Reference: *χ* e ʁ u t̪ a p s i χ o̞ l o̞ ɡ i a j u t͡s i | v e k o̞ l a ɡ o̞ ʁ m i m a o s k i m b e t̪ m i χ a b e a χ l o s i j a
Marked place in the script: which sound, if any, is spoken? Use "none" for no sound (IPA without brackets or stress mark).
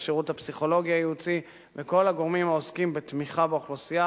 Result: ʃ